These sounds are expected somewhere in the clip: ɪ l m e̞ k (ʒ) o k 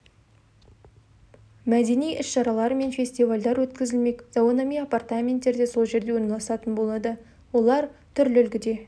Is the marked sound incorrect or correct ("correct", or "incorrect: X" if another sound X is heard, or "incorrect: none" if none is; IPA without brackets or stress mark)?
incorrect: z